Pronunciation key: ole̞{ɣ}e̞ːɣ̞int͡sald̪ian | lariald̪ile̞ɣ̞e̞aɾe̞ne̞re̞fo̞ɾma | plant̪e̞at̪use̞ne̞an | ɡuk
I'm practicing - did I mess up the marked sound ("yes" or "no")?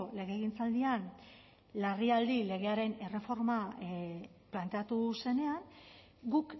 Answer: no